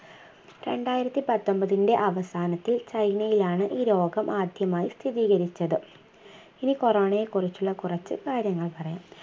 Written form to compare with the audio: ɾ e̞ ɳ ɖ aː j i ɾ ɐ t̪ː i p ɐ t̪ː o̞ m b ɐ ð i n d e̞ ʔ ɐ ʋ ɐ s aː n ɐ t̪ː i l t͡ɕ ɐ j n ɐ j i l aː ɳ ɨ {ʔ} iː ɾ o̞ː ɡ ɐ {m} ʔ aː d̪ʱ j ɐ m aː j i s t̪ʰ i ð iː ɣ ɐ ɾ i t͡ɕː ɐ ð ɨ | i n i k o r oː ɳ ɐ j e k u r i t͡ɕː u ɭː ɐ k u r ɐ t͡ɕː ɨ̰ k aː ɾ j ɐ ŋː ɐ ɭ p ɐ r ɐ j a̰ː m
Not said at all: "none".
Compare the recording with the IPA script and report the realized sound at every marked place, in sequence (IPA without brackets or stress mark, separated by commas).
ʔ, m